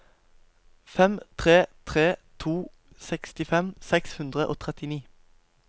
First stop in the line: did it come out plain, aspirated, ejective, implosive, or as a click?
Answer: aspirated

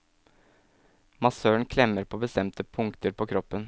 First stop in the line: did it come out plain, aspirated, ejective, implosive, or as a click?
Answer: aspirated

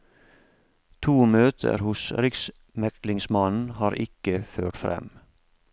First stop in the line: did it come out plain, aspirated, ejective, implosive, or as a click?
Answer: aspirated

